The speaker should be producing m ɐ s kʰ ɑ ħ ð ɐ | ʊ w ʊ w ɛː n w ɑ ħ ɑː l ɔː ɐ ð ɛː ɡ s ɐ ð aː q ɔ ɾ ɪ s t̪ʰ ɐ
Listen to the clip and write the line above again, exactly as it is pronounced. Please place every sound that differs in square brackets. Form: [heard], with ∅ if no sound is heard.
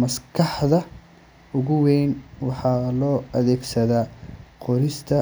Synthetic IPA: m ɐ s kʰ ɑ ħ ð ɐ | ʊ [ɣ] ʊ w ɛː n w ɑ ħ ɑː l ɔː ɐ ð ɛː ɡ s ɐ ð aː q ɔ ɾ ɪ s t̪ʰ ɐ